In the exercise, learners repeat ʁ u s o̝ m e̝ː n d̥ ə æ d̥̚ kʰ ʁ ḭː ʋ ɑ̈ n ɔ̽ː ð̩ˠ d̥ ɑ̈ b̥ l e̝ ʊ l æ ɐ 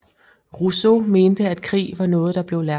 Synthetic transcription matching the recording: ʁ u s o̝ m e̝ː n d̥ ə æ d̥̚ kʰ ʁ ḭː ʋ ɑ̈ n ɔ̽ː ð̩ˠ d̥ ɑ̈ b̥ l e̝ ʊ l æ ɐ